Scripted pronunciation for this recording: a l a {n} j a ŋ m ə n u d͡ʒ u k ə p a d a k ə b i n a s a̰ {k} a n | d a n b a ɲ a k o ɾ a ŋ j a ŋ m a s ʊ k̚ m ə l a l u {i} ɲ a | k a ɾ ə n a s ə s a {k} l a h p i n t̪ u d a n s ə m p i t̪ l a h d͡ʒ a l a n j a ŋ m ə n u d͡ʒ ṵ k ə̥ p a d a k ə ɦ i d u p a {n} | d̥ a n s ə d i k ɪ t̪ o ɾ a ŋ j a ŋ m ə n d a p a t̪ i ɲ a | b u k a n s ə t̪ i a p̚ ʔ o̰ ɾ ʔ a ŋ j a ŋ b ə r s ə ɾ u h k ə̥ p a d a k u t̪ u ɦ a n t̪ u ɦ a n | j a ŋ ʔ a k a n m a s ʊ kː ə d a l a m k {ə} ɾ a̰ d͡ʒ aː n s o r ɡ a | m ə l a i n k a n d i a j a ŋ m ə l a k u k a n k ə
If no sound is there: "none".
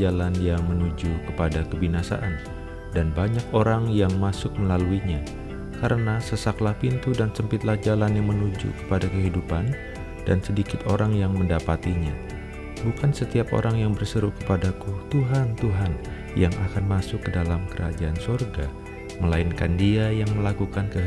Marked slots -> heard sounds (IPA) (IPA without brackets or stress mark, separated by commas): n, ʔ, i, k, n, ə